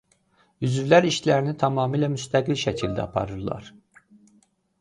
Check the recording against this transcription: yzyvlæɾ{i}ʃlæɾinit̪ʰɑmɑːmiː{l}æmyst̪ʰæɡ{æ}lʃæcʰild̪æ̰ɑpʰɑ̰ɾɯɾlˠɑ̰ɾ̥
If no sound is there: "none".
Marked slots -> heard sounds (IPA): i, l, i

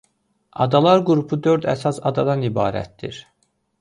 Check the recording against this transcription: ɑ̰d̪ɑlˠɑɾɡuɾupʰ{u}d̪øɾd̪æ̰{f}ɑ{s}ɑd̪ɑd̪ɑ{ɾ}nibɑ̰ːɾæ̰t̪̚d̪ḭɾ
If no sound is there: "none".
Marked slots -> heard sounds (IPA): u, s, s, none

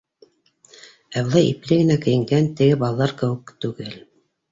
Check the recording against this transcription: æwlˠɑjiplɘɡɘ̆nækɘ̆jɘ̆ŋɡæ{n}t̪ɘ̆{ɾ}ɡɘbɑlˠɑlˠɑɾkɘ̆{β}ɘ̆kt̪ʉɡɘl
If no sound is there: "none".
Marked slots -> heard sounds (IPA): n, none, w

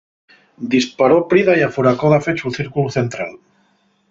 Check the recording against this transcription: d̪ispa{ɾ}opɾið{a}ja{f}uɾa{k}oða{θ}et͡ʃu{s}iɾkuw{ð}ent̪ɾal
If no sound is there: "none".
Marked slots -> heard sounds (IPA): ɾ, a, f, k, f, θ, θ

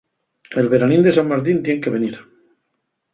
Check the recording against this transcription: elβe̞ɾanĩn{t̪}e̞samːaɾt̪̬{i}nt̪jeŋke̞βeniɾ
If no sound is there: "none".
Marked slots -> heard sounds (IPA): d̪, i

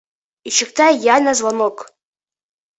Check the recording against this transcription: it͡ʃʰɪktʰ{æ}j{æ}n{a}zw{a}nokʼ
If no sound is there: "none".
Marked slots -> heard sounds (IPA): a, a, a, a

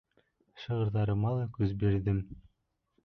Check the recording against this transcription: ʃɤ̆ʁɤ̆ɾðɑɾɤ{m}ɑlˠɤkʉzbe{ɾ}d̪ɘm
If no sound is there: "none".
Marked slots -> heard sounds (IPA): m, ɾ

